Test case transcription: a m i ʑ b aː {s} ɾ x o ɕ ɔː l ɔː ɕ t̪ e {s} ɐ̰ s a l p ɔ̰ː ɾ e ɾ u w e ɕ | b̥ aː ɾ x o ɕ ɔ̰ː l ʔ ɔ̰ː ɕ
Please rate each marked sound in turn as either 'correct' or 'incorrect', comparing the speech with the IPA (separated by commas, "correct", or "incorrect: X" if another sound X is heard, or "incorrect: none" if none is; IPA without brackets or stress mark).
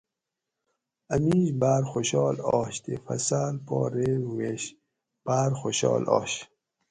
incorrect: none, incorrect: f